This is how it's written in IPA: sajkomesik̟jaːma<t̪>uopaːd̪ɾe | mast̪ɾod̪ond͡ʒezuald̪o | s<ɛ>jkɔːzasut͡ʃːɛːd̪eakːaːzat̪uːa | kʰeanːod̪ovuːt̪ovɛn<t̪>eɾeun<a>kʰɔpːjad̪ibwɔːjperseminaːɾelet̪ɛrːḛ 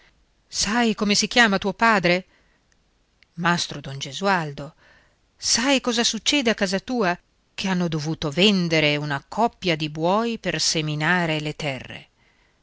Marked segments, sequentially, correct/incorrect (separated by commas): correct, incorrect, incorrect, correct